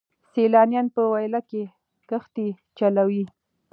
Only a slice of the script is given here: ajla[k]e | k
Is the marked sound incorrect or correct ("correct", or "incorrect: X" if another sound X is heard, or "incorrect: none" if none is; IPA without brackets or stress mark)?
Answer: correct